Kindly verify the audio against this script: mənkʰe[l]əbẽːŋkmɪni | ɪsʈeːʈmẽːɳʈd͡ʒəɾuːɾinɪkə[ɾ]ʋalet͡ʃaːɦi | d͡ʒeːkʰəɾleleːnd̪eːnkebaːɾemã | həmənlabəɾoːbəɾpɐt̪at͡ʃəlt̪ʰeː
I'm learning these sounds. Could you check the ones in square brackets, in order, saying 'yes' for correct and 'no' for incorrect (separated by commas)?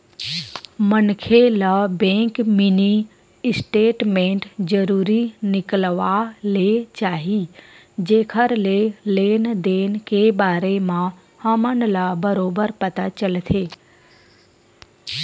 yes, no